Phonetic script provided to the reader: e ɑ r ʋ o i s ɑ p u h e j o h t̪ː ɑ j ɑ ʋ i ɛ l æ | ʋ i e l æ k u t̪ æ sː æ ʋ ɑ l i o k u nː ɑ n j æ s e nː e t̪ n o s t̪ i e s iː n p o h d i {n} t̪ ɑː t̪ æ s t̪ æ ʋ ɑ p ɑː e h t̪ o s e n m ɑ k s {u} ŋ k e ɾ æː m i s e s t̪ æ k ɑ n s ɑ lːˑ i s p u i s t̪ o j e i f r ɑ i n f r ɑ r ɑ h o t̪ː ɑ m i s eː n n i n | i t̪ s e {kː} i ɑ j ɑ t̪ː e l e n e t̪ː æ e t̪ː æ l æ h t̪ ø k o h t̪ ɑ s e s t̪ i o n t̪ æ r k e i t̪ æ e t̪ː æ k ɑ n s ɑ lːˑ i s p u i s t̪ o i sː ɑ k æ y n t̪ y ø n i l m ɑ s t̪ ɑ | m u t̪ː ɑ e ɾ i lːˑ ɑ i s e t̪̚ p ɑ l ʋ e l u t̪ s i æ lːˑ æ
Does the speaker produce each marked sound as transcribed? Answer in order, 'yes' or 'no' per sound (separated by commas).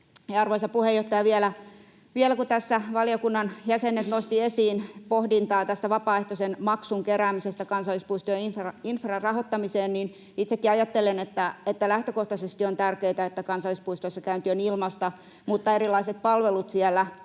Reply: yes, yes, yes